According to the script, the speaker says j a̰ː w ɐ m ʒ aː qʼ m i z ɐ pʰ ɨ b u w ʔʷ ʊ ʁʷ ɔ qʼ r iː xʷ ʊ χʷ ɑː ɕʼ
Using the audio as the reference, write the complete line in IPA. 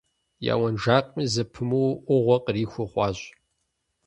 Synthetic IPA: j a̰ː w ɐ n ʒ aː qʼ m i z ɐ pʰ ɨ m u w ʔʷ ʊ ʁʷ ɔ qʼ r iː xʷ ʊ χʷ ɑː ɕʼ